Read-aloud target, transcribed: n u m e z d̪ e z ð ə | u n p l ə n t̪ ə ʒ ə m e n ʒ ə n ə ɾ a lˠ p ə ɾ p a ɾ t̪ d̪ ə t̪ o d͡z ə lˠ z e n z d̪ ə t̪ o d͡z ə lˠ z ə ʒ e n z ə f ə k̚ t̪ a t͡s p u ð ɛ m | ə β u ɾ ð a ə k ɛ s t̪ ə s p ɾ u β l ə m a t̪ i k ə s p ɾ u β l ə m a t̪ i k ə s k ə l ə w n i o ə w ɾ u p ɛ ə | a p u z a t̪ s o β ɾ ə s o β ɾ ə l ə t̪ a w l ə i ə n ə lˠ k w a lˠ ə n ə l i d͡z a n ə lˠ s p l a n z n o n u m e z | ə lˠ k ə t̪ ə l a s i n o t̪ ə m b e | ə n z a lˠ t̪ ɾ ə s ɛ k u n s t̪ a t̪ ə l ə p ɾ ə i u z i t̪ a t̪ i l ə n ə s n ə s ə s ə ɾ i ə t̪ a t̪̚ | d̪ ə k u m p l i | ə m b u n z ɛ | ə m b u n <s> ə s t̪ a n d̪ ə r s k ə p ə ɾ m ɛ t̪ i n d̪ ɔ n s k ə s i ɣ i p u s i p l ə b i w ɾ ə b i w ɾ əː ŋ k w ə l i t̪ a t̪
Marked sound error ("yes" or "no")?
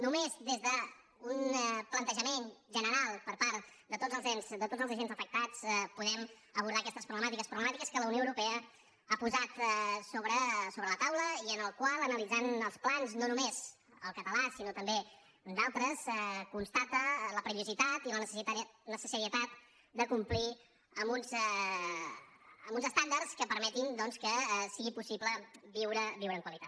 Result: yes